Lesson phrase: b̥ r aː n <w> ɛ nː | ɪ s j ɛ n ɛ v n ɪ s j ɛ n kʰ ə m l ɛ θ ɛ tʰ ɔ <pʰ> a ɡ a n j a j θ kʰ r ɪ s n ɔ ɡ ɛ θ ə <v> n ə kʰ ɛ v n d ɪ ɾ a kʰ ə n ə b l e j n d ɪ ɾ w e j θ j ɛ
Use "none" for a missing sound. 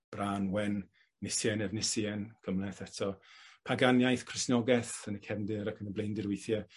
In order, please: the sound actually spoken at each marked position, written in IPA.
w, pʰ, none

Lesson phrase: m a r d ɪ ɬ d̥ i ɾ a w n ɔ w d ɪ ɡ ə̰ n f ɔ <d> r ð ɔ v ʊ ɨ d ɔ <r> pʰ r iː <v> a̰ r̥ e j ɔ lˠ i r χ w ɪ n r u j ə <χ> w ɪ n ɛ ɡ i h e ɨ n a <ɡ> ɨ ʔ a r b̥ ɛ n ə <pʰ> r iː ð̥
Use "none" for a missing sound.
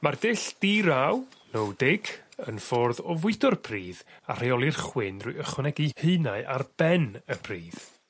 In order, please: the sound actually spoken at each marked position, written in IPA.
none, r, ð, χ, none, pʰ

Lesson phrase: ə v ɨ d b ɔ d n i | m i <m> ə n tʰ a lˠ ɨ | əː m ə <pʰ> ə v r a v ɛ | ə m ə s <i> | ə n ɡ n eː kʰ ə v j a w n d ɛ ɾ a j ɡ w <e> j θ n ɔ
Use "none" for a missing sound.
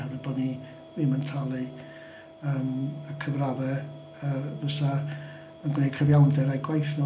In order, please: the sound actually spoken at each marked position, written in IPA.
m, kʰ, a, a

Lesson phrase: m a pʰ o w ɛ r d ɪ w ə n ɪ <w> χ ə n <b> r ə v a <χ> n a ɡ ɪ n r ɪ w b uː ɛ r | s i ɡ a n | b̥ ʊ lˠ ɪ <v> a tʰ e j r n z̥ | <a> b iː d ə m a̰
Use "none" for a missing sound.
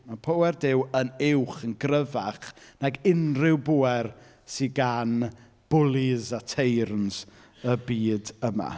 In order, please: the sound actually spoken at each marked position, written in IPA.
w, ɡ, χ, z, ə

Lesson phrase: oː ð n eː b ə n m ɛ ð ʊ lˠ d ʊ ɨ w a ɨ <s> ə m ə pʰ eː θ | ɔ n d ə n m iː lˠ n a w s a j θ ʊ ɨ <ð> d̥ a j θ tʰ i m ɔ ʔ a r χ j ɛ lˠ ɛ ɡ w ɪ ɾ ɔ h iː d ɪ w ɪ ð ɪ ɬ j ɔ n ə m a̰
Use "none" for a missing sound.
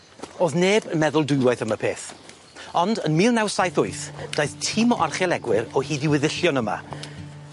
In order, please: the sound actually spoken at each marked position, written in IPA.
θ, θ

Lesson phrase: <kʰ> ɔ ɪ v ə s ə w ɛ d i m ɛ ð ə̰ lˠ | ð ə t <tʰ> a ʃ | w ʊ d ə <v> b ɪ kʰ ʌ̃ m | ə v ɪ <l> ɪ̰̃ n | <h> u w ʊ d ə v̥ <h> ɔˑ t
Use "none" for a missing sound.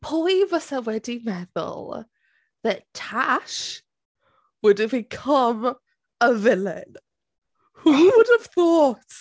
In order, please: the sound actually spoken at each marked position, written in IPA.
pʰ, tʰ, v, l, h, θ

